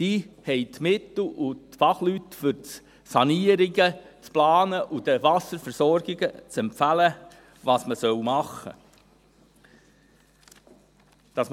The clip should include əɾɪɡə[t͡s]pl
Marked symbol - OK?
yes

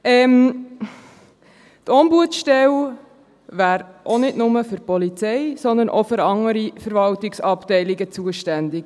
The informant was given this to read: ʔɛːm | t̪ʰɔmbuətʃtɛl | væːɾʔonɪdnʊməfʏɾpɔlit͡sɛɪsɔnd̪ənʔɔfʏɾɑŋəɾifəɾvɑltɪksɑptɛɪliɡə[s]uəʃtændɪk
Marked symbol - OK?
no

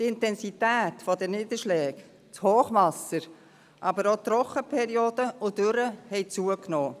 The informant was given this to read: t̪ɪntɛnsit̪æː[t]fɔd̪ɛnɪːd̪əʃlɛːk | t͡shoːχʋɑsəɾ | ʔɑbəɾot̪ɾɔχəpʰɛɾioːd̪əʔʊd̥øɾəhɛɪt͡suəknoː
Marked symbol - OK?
yes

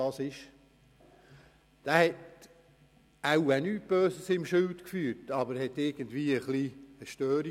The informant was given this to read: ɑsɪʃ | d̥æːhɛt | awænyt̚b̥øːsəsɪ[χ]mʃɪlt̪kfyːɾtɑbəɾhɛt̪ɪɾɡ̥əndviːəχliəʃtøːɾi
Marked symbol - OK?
no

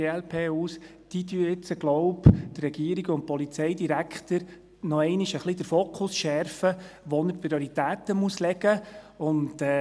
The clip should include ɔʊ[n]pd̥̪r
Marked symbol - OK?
no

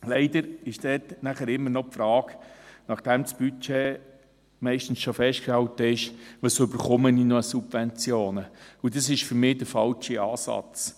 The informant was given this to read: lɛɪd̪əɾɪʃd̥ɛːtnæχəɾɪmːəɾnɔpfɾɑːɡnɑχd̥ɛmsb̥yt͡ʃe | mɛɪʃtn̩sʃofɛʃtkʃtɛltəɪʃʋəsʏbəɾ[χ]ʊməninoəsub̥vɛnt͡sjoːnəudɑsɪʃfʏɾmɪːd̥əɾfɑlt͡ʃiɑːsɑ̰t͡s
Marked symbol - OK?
yes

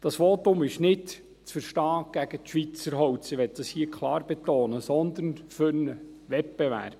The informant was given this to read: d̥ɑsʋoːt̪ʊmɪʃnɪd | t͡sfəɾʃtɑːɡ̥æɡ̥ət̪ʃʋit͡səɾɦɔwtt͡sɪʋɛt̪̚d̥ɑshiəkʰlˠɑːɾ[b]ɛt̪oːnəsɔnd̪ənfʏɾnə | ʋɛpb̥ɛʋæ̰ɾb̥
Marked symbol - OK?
yes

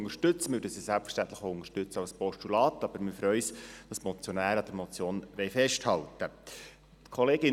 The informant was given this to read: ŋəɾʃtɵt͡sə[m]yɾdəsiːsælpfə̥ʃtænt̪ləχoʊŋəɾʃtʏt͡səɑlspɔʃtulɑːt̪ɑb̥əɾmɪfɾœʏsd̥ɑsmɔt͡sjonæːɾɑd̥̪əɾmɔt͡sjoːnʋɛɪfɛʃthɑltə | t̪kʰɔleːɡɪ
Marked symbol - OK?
yes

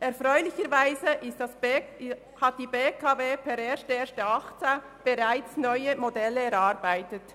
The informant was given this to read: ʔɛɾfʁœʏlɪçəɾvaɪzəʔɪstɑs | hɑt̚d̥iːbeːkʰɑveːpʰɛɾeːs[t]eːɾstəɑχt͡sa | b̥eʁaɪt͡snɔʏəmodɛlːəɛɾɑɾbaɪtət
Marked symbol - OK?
yes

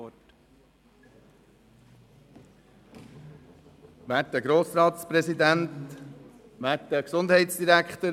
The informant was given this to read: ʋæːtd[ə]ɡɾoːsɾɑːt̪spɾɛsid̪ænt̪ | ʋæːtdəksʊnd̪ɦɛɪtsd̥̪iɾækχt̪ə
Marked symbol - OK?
yes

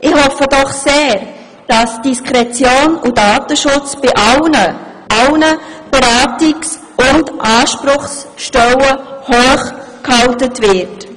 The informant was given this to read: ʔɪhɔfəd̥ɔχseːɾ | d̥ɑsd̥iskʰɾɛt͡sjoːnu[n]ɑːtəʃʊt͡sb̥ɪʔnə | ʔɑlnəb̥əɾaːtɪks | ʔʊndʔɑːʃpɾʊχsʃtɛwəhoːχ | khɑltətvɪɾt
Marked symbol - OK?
no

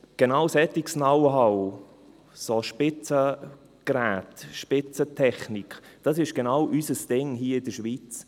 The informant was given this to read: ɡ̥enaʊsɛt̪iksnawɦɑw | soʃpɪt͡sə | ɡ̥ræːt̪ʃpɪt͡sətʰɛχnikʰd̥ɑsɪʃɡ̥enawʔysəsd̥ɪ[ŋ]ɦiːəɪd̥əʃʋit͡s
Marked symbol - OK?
yes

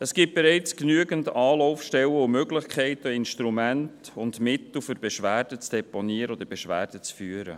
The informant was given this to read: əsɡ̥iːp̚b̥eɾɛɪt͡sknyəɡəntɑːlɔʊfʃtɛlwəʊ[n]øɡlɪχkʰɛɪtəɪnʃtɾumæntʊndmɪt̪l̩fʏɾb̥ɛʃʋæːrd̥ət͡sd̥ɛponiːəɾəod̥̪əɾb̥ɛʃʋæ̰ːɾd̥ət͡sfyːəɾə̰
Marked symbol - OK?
no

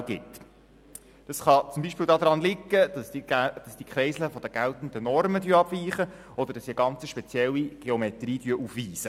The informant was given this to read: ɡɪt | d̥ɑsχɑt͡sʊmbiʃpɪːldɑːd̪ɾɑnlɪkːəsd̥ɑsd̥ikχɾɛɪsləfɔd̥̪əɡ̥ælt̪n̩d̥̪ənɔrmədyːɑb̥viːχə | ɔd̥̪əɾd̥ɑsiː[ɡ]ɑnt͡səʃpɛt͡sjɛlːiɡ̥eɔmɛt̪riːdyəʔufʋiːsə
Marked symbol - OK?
yes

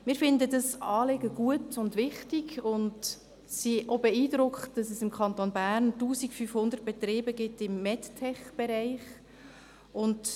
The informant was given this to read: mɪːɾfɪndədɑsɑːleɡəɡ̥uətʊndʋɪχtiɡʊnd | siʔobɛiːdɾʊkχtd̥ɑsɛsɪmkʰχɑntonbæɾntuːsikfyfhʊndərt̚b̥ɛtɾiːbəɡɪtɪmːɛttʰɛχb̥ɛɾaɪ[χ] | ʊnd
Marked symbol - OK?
yes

